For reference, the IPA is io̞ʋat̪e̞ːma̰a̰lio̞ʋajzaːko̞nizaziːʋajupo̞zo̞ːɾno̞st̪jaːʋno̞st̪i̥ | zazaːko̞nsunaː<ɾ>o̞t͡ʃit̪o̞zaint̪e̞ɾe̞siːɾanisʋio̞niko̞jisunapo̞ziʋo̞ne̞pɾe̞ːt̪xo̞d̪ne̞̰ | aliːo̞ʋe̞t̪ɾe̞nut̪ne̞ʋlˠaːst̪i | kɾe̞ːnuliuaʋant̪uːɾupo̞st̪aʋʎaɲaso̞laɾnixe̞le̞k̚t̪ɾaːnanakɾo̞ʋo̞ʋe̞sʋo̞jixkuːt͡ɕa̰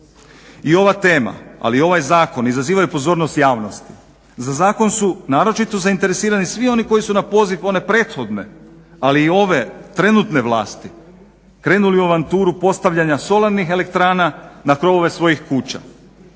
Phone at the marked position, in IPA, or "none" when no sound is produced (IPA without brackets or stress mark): ɾ